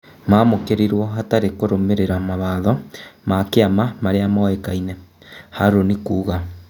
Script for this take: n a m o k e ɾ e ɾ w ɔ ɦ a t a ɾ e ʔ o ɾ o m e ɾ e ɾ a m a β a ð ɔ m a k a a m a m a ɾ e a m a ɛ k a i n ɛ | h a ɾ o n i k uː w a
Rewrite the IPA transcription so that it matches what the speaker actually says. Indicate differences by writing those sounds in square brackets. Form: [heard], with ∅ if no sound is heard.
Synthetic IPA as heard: [m] a m o k e ɾ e ɾ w ɔ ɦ a t a ɾ e [k] o ɾ o m e ɾ e ɾ a m a β a ð ɔ m a k [e] a m a m a ɾ e a m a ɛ k a i n ɛ | h a ɾ o n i k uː [ɣ] a

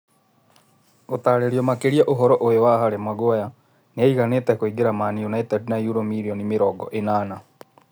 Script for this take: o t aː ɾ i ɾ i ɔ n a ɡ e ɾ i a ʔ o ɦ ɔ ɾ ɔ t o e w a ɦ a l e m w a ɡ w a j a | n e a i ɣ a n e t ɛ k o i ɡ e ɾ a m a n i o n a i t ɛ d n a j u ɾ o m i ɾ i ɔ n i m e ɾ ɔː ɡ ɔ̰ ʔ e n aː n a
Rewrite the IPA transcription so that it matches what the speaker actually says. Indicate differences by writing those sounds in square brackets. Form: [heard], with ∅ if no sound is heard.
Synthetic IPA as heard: o t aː ɾ [e] ɾ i ɔ [m] a [k] e ɾ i a ʔ o ɦ ɔ ɾ ɔ [ʔ] o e w a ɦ a [ɾ] e m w a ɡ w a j a | n e a i ɣ a n e t ɛ k o i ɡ e ɾ a m a n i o n a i t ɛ d n a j u ɾ o m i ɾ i ɔ n i m e ɾ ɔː ɡ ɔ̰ ʔ e n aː n a

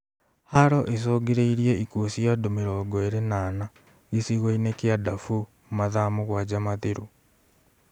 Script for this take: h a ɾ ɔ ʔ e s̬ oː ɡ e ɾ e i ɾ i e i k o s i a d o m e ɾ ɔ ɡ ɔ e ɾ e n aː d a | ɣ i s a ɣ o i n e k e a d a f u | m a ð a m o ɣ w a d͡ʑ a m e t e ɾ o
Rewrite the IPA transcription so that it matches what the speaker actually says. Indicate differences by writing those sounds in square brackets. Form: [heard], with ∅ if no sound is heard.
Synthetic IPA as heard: h a ɾ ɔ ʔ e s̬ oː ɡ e ɾ e i ɾ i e i k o s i a d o m e ɾ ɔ ɡ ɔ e ɾ e n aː [n] a | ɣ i s [i] ɣ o i n e k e a d a f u | m a ð a m o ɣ w a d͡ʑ a m [a] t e ɾ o

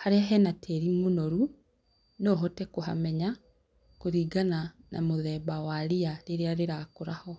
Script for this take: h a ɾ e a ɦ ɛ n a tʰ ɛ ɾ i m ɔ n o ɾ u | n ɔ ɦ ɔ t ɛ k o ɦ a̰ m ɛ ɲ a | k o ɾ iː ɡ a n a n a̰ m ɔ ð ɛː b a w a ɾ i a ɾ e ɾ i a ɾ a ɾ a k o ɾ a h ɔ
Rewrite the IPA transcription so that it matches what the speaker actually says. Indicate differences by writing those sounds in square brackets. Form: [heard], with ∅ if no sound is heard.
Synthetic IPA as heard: h a ɾ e a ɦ ɛ n a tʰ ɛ ɾ i m [o] n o ɾ u | n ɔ ɦ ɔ t ɛ k o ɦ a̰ m ɛ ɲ a | k o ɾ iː ɡ a n a n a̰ m [o] ð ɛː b a w a ɾ i a ɾ e ɾ [e] a ɾ [e] ɾ a k o ɾ a h ɔ

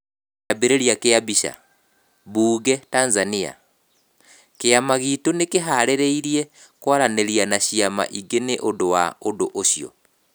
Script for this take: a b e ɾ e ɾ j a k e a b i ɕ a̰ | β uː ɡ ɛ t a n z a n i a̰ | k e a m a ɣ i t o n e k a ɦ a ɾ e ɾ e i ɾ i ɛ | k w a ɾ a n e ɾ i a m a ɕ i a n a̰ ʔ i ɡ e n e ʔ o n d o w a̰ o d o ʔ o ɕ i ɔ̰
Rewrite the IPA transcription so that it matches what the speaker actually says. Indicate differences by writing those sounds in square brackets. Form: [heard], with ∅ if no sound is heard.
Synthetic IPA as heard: a b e ɾ e ɾ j a k e a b i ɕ a̰ | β uː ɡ ɛ t a n z a n i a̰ | k e a m a ɣ i t o n e k [e] ɦ a ɾ e ɾ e i ɾ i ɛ | k w a ɾ a n e ɾ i a [n] a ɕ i a [m] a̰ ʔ i ɡ e n e ʔ o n d o w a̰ o d o ʔ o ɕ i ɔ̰

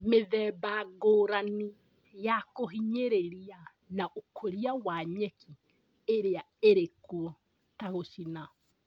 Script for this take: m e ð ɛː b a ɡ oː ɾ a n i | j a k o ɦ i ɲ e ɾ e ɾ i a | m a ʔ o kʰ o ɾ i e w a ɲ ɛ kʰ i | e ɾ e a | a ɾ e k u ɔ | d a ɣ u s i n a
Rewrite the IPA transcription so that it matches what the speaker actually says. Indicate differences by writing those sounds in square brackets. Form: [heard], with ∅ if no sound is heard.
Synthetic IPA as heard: m e ð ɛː b a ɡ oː ɾ a n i | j a k o ɦ i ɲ e ɾ e ɾ i a | [n] a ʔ o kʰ o ɾ i [a] w a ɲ ɛ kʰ i | e ɾ e a | [e] ɾ e k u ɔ | [t] a ɣ [o] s i n a

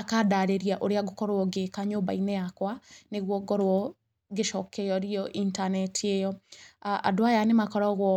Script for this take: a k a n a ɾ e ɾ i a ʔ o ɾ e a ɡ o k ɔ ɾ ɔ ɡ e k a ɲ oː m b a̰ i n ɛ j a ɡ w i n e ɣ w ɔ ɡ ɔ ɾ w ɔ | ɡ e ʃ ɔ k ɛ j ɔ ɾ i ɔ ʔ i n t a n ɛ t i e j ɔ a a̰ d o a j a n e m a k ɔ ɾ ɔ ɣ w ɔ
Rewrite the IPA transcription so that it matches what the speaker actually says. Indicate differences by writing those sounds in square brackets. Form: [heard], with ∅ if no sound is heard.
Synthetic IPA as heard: a k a [d] a ɾ e ɾ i a ʔ o ɾ e a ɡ o k ɔ ɾ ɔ ɡ e k a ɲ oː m b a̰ i n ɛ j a [k] w [a] n e ɣ w ɔ ɡ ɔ ɾ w ɔ | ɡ e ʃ ɔ k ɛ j ɔ ɾ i ɔ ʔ i n t a n ɛ t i e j ɔ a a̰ d o a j a n e m a k ɔ ɾ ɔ ɣ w ɔ

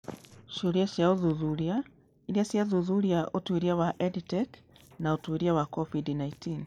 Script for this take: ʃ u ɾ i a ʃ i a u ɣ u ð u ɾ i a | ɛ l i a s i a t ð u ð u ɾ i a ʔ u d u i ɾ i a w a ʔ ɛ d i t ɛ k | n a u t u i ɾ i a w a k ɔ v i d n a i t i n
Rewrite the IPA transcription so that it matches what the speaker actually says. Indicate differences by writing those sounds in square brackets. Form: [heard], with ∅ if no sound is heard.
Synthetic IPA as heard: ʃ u ɾ i a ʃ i a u [ð] u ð u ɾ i a | [i] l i a s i a [∅] ð u ð u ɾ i a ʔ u [t] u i ɾ i a w a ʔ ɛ d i t ɛ k | n a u t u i ɾ i a w a k ɔ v i d n a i t i n

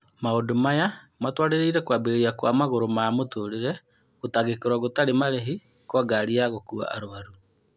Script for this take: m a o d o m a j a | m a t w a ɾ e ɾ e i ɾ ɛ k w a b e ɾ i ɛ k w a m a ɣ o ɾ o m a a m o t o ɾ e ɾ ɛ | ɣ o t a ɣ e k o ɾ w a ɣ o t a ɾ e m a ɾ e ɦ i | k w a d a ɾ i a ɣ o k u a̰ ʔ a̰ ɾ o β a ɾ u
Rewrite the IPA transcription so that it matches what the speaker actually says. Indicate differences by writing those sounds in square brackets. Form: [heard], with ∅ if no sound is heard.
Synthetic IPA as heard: m a o d o m a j a | m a t w a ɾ e ɾ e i ɾ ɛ k w a b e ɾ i [a] k w a m a ɣ o ɾ o m a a m o t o ɾ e ɾ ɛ | ɣ o t a ɣ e k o ɾ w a ɣ o t a ɾ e m a ɾ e ɦ i | k w a [ɡ] a ɾ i a ɣ o k u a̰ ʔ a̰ ɾ o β a ɾ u

